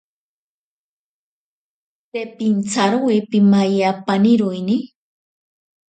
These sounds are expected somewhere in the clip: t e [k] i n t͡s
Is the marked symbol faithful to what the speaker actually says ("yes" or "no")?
no